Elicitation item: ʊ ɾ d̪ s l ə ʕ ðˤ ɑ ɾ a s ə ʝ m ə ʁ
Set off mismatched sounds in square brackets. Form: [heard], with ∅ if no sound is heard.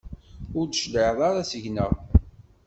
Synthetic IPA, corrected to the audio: ʊ ɾ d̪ [ʃ] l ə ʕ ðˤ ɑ ɾ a s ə ʝ [n] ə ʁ